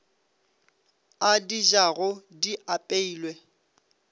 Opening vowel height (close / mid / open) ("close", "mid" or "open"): open